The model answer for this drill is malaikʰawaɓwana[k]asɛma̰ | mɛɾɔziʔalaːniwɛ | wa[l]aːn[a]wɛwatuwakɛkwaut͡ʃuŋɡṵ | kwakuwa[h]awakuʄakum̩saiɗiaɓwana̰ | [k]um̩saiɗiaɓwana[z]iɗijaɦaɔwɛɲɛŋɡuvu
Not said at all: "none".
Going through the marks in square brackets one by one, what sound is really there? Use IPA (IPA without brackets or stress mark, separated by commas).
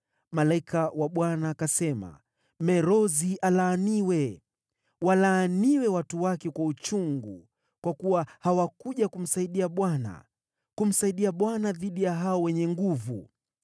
k, l, i, h, k, ð